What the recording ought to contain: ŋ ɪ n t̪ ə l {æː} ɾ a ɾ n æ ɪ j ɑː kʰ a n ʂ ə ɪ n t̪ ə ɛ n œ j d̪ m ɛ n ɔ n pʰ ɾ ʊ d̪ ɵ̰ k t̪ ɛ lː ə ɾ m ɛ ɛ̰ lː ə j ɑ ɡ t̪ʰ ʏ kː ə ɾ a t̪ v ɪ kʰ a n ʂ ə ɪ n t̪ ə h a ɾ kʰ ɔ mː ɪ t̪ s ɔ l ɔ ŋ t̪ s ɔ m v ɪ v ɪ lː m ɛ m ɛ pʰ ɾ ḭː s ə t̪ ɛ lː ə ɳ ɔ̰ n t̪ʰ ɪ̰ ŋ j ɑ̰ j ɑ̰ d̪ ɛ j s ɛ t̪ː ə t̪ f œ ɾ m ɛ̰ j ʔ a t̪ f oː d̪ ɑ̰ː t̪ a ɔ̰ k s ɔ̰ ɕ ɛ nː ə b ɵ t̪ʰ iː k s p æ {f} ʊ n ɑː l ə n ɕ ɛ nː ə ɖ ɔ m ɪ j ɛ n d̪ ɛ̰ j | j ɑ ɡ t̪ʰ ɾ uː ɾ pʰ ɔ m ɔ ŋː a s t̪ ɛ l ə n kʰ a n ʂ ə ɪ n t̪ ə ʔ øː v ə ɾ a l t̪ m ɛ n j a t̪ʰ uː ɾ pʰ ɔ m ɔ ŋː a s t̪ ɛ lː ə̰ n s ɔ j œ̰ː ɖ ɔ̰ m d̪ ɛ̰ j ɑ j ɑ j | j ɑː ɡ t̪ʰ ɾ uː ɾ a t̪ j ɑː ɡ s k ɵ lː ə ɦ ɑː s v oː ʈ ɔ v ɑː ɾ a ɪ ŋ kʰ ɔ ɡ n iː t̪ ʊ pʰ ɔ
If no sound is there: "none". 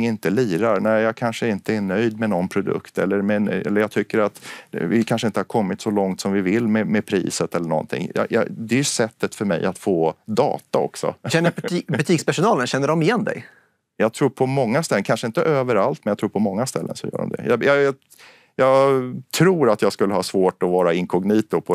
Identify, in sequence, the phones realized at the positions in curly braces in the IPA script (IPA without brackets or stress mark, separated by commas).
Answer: iː, ʂ